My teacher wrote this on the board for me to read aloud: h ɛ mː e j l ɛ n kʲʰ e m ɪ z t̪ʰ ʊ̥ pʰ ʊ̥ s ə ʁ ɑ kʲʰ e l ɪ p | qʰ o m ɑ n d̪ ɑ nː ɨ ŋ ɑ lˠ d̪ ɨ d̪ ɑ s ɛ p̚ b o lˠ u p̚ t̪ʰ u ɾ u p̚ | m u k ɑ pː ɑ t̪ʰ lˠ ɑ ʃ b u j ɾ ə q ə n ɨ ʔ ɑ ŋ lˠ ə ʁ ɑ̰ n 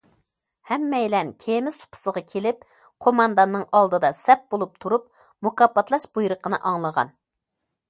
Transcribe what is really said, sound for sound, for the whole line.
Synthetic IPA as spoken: h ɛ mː ɛ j l ɛ n kʲʰ e m ɪ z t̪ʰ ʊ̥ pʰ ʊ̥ s ə ʁ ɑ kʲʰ e l ɪ p | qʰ o m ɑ n d̪ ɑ nː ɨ ŋ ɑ lˠ d̪ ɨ d̪ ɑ s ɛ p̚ b o lˠ u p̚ t̪ʰ u ɾ u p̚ | m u k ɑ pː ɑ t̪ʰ lˠ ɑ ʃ b u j ɾ ə q ə n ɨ ʔ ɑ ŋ lˠ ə ʁ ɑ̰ n

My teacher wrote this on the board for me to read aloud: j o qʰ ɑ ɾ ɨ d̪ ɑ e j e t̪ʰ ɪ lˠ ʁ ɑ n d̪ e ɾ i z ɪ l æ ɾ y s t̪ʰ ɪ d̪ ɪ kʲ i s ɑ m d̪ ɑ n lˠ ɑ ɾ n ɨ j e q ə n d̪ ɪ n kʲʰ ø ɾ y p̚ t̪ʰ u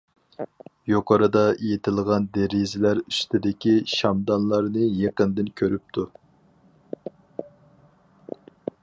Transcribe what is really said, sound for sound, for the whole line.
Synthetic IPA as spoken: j o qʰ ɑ ɾ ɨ d̪ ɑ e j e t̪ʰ ɪ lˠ ʁ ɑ n d̪ e ɾ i z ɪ l æ ɾ y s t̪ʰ ɪ d̪ ɪ kʲ i ʃ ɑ m d̪ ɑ n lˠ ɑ ɾ n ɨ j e q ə n d̪ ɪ n kʲʰ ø ɾ y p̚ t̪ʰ u

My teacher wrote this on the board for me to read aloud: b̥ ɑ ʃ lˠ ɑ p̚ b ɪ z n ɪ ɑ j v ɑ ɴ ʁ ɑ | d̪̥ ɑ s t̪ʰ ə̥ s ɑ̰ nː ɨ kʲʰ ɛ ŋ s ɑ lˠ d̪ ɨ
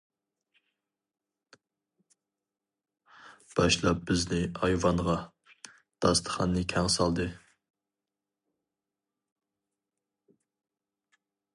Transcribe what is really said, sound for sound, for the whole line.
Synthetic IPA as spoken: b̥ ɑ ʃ lˠ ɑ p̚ b ɪ z n ɪ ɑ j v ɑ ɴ ʁ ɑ | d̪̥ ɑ s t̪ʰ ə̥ χ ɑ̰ nː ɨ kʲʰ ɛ ŋ s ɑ lˠ d̪ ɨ

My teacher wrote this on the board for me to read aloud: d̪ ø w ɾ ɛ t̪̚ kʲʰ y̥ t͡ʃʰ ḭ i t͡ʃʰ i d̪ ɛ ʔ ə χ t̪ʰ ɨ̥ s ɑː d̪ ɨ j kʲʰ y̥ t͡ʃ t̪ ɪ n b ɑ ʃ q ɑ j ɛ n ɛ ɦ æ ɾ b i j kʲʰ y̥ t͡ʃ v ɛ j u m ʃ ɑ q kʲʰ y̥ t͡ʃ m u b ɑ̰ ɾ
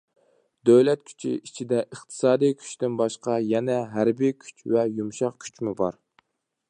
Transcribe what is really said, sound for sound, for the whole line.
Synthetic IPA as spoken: d̪ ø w l ɛ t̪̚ kʲʰ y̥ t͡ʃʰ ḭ i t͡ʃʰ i d̪ ɛ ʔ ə χ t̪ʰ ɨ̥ s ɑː d̪ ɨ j kʲʰ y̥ t͡ʃ t̪ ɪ n b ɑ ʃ q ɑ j ɛ n ɛ ɦ æ ɾ b i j kʲʰ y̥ t͡ʃ v ɛ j u m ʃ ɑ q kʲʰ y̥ t͡ʃ m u b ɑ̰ ɾ

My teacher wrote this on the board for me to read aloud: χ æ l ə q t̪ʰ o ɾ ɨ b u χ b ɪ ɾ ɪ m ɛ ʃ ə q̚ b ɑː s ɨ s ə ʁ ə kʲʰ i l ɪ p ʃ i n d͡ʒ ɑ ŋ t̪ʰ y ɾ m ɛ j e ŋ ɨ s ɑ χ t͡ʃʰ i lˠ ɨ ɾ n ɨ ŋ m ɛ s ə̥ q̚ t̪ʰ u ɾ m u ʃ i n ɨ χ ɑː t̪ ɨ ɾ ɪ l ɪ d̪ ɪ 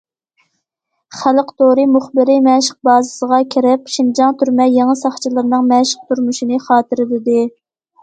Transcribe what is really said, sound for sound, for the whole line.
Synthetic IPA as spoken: χ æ l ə q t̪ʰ o ɾ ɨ m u χ b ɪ ɾ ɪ m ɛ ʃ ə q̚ b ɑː z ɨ s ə ʁ ɑ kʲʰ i ɾ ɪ p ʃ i n d͡ʒ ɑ ŋ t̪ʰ y ɾ m ɛ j e ŋ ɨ s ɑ χ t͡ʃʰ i lˠ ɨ ɾ n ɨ ŋ m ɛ ʃ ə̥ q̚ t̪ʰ u ɾ m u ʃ i n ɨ χ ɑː t̪ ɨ ɾ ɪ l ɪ d̪ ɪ

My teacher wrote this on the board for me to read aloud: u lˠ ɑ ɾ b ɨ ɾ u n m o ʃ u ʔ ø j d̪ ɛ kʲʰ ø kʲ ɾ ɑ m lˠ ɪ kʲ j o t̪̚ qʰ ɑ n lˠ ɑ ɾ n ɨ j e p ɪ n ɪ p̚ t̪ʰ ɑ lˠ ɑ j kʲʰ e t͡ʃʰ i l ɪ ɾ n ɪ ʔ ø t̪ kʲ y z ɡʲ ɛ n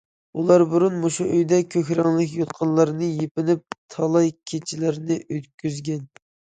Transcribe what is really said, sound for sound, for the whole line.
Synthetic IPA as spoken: u lˠ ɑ ɾ b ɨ ɾ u n m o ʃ u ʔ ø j d̪ ɛ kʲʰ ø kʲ ɾ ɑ ŋ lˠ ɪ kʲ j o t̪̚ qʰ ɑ n lˠ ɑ ɾ n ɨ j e p ɪ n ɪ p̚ t̪ʰ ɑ lˠ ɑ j kʲʰ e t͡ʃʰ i l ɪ ɾ n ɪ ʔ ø t̪ kʲ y z ɡʲ ɛ n

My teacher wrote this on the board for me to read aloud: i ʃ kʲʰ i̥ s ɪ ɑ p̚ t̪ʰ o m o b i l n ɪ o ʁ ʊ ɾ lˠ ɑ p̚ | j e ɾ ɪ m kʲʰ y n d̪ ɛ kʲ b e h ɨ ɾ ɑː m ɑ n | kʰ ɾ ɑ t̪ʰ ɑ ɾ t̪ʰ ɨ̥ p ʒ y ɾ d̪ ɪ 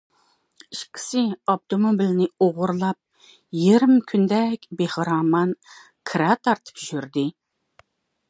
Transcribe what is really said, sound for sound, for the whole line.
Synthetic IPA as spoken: i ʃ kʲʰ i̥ s ɪ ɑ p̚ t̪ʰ o m o b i l n ɪ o ʁ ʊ ɾ lˠ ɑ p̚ | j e ɾ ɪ m kʲʰ y n d̪ ɛ kʲ b e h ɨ ɾ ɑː m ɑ n | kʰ ɾ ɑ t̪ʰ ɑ ɾ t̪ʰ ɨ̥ p ʒ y ɾ d̪ ɪ

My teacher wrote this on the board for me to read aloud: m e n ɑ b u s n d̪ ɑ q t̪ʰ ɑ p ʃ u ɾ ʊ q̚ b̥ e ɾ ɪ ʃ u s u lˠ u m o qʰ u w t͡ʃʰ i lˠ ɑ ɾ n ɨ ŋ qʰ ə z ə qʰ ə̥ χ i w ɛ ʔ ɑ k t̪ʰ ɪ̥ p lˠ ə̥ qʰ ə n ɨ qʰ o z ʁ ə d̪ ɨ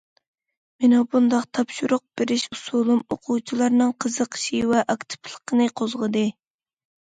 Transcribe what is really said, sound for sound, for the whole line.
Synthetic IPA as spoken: m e n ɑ b u n d̪ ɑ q t̪ʰ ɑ p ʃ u ɾ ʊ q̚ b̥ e ɾ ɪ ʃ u s u lˠ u m o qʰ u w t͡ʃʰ i lˠ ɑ ɾ n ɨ ŋ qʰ ə z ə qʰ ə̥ ʃ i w ɛ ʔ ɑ k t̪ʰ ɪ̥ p lˠ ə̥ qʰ ə n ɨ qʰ o z ʁ ə d̪ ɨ

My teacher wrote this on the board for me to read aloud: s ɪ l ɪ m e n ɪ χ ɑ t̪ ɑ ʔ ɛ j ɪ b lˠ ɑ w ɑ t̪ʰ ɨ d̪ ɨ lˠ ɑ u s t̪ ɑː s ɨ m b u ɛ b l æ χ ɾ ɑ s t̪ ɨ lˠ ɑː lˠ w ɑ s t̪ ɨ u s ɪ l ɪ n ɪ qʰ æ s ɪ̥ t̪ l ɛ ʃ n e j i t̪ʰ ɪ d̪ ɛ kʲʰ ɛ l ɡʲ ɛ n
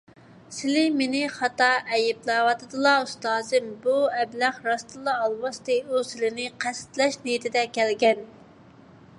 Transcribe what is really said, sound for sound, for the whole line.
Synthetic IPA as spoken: s ɪ l ɪ m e n ɪ χ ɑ t̪ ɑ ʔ ɛ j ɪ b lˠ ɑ w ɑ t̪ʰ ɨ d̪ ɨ lˠ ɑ u s t̪ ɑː z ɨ m b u ɛ b l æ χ ɾ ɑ s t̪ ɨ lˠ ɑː lˠ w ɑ s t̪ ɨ u s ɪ l ɪ n ɪ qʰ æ s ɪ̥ t̪ l ɛ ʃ n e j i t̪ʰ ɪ d̪ ɛ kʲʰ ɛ l ɡʲ ɛ n

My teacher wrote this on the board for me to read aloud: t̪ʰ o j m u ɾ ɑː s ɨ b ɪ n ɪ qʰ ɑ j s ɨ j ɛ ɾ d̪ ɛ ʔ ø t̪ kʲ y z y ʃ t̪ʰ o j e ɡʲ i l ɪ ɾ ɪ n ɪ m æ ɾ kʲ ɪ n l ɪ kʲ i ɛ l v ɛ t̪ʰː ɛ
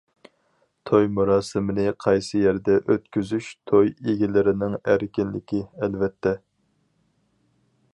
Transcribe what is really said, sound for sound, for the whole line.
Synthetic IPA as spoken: t̪ʰ o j m u ɾ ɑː s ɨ m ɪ n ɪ qʰ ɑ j s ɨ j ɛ ɾ d̪ ɛ ʔ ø t̪ kʲ y z y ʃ t̪ʰ o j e ɡʲ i l ɪ ɾ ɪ n ɪ ŋ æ ɾ kʲ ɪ n l ɪ kʲ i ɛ l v ɛ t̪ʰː ɛ

